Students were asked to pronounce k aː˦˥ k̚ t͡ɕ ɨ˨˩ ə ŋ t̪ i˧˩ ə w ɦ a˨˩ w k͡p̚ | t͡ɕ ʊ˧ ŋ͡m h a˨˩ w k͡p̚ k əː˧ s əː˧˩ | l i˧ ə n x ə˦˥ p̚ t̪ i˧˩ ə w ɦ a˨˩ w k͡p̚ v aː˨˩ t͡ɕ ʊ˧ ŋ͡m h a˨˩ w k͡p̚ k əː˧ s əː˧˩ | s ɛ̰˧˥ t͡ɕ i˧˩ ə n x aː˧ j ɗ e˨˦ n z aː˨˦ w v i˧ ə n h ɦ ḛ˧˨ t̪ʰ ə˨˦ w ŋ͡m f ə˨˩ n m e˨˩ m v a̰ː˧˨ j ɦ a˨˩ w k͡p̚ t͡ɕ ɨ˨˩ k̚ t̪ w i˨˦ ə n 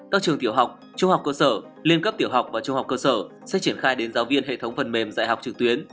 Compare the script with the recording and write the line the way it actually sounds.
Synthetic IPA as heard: k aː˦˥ k̚ t͡ɕ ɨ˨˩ ə ŋ t̪ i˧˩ ə w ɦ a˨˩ w k͡p̚ | t͡ɕ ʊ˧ ŋ͡m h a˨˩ w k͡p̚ k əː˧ s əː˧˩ | l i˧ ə n k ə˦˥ p̚ t̪ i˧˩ ə w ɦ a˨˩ w k͡p̚ v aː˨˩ t͡ɕ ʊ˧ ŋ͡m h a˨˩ w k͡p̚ k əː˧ s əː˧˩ | s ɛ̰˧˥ t͡ɕ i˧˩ ə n x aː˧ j ɗ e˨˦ n z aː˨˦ w v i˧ ə n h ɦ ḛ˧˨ t̪ʰ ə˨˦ w ŋ͡m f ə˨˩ n m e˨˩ m z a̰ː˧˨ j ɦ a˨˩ w k͡p̚ t͡ɕ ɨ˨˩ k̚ t̪ w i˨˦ ə n